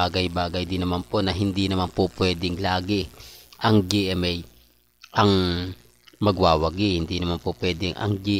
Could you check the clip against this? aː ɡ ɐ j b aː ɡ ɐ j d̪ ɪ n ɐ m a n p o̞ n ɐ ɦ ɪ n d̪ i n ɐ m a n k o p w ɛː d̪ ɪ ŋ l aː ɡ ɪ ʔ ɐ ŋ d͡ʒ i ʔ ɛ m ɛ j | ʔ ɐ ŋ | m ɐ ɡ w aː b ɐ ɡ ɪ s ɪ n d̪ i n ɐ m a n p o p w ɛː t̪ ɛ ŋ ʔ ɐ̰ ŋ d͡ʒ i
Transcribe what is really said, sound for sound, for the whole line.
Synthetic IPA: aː ɡ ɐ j b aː ɡ ɐ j d̪ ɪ n ɐ m a n p o̞ n ɐ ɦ ɪ n d̪ i n ɐ m a n p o p w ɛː d̪ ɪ ŋ l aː ɡ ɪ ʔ ɐ ŋ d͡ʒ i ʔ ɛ m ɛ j | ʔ ɐ ŋ | m ɐ ɡ w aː w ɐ ɡ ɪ h ɪ n d̪ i n ɐ m a n p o p w ɛː d̪ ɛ ŋ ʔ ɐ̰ ŋ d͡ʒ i